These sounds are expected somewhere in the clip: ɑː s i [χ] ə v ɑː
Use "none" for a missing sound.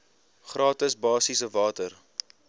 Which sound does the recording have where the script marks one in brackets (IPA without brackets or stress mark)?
s